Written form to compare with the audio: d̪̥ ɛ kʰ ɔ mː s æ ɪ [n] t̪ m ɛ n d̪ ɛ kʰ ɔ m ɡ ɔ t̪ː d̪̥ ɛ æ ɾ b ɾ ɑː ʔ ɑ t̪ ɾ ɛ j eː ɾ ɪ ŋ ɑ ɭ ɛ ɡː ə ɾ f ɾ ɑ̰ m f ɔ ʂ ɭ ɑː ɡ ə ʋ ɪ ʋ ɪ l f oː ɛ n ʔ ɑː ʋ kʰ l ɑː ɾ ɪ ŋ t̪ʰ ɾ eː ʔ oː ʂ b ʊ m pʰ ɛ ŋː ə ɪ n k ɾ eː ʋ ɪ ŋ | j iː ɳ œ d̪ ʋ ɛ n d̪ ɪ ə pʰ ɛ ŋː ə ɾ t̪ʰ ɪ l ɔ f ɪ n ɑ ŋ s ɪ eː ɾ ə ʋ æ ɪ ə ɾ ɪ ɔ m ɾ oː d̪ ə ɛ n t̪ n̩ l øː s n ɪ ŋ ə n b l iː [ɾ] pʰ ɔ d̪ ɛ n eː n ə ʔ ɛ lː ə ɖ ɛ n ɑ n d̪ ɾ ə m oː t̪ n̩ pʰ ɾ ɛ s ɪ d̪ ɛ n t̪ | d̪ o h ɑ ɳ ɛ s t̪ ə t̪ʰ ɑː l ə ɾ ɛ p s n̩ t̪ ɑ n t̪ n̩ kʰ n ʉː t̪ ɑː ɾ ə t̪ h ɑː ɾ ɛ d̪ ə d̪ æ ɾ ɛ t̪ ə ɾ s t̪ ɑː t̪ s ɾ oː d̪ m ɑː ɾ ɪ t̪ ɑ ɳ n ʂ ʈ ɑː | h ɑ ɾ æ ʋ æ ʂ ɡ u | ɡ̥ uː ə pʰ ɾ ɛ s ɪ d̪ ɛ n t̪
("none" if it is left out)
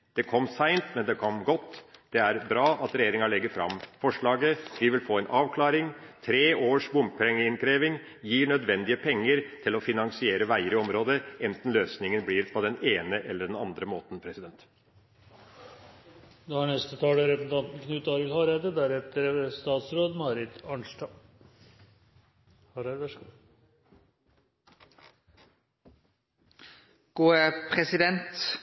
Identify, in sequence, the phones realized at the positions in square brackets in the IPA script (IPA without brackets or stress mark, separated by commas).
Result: n, ɾ